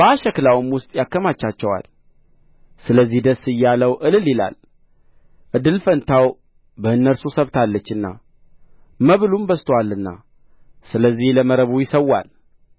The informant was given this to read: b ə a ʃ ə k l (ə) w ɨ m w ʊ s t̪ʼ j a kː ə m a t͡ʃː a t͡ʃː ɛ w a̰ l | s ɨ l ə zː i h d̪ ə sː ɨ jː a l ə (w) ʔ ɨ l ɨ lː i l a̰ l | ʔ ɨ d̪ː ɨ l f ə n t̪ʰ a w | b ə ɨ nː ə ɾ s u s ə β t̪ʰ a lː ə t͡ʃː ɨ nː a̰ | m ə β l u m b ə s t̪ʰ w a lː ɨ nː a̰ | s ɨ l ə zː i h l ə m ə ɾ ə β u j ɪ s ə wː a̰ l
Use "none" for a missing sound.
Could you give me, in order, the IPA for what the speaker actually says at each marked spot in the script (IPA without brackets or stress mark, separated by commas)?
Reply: a, w